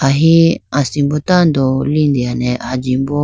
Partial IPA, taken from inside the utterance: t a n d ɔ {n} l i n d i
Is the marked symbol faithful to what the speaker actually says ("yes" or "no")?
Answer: no